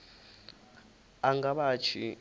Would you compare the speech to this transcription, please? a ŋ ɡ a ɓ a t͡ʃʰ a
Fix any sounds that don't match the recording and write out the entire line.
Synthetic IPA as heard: a ŋ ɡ a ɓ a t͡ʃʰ i